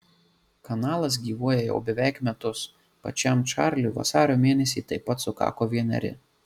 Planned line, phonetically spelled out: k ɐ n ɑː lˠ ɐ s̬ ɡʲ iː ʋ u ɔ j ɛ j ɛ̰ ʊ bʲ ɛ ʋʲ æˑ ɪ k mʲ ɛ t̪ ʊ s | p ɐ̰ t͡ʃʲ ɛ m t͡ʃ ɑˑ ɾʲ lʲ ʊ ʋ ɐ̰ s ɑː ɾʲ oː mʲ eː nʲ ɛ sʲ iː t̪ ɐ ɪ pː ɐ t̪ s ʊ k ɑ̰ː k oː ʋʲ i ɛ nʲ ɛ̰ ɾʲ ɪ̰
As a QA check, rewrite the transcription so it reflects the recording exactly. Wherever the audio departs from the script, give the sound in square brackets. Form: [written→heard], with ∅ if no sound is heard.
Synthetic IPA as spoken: k ɐ n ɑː lˠ ɐ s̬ ɡʲ iː ʋ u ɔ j ɛ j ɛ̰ ʊ bʲ ɛ ʋʲ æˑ ɪ k mʲ ɛ t̪ ʊ s | p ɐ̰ t͡ʃʲ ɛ m t͡ʃ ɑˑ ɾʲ lʲ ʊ ʋ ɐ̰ s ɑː ɾʲ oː mʲ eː nʲ ɛ sʲ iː t̪ ɐ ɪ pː ɐ t̪ s ʊ k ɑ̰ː k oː ʋʲ i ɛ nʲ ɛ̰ ɾʲ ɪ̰